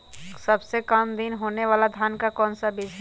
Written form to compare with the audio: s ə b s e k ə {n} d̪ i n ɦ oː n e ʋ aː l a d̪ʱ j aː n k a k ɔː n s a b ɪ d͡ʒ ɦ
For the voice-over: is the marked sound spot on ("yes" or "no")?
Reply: no